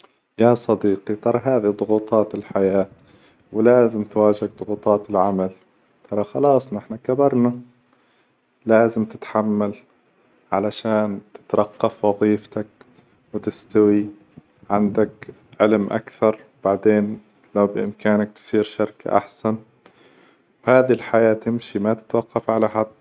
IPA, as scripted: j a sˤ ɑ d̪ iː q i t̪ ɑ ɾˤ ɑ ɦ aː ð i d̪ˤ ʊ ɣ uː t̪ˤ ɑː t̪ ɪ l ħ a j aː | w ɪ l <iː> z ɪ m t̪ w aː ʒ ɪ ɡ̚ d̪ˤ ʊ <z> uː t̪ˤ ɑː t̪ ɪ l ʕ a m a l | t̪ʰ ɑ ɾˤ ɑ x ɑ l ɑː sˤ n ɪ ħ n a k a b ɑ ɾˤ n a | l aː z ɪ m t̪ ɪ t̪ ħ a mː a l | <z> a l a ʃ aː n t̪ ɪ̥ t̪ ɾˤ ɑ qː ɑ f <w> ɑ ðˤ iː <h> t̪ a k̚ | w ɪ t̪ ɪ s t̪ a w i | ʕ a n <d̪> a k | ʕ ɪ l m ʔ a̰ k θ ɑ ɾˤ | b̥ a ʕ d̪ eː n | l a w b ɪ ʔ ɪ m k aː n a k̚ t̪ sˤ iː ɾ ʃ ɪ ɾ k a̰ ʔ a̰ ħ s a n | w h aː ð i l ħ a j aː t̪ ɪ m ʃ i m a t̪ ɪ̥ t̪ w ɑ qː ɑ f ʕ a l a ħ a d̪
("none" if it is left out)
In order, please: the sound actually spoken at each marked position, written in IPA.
aː, ɣ, ʕ, w, f, d̪

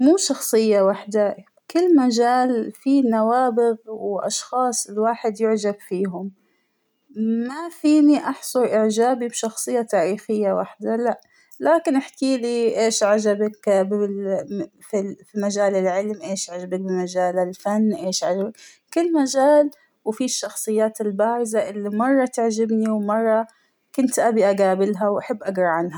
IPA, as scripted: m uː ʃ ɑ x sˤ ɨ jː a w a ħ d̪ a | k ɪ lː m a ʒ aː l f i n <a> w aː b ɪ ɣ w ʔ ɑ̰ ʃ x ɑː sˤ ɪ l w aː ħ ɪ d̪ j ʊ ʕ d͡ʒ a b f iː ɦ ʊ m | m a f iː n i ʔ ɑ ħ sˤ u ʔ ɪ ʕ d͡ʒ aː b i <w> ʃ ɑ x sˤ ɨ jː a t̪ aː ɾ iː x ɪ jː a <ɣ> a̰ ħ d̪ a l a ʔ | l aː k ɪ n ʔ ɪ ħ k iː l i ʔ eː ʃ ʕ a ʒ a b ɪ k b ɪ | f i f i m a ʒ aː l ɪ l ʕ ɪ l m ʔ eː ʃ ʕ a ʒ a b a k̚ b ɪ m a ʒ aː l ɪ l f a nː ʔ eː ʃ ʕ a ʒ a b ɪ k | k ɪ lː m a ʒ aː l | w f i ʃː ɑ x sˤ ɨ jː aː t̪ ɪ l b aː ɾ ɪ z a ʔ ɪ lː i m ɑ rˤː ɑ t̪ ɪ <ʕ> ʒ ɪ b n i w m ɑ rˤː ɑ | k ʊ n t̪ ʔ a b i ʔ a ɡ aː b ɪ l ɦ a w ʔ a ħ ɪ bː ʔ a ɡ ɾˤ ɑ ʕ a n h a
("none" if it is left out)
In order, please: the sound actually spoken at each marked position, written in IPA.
a, b, w, ʕ

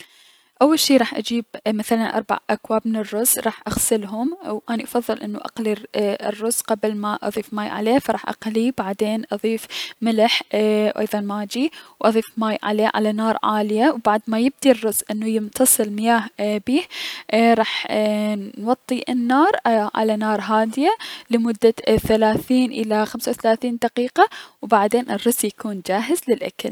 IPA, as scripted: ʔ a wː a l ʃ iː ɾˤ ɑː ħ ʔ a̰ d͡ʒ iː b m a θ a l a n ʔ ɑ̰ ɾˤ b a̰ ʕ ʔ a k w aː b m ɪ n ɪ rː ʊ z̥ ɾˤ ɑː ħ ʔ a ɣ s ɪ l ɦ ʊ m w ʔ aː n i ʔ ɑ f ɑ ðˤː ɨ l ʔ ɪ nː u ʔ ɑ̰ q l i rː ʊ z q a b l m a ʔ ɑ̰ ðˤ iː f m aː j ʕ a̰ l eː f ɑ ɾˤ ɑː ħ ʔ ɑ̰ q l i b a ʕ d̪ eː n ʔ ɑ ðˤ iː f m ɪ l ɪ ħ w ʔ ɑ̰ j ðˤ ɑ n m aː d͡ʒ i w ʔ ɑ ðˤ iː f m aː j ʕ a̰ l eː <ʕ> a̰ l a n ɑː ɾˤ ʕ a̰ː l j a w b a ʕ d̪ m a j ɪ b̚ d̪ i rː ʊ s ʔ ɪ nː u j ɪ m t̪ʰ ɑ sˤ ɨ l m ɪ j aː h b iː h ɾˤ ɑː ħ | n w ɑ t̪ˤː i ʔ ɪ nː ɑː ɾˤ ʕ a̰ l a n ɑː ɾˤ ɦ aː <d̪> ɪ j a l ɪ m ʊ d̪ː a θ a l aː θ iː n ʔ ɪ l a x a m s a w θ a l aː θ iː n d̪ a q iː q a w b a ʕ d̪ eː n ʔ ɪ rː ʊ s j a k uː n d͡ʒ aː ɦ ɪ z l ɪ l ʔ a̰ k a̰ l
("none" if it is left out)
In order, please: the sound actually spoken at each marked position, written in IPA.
ʕ, d̪

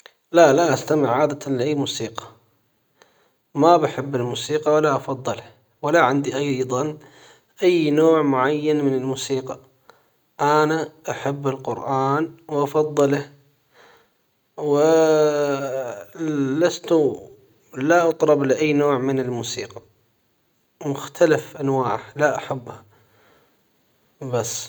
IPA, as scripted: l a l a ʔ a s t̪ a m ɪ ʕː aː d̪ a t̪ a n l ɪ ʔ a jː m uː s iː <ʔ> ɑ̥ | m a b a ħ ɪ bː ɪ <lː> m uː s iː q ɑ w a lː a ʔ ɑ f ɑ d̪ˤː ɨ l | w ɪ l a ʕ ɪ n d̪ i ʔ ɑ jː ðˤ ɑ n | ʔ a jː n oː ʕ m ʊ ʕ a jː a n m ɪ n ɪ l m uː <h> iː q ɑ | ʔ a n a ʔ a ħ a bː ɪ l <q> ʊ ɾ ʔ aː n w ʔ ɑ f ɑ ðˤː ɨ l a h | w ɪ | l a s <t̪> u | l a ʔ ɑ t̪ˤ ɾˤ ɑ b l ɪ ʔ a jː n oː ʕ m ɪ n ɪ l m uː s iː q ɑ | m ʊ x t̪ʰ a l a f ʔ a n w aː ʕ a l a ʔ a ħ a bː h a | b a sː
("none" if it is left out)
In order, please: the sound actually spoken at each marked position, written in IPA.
q, l, s, q, t̪

